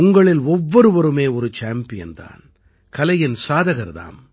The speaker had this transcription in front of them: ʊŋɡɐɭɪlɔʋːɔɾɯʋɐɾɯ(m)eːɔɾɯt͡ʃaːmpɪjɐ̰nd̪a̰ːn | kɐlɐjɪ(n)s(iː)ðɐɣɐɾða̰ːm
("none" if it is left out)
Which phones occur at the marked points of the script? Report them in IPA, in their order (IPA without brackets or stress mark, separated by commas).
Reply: m, n, aː